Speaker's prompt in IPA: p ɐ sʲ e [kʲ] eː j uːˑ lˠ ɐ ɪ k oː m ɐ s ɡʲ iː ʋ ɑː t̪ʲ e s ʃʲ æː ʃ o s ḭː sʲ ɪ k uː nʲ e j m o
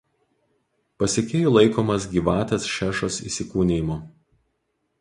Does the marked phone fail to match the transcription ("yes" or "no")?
no